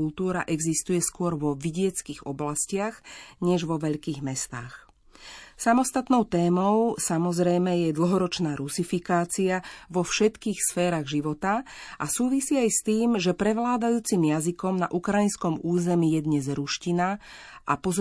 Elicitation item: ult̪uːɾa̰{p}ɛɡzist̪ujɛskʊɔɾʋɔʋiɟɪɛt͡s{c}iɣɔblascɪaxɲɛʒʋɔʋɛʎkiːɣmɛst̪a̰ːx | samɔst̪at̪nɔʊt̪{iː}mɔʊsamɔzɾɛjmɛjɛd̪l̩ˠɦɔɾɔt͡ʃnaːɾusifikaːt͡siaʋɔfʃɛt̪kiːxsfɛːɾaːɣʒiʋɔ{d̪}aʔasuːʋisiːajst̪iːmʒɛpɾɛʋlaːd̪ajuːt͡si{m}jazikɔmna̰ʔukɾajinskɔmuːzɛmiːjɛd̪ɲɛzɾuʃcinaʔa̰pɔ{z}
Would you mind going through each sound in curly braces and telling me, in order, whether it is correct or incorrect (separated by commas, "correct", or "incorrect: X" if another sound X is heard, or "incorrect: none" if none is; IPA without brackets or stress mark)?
incorrect: ʔ, incorrect: k, incorrect: ɛː, incorrect: t̪, correct, correct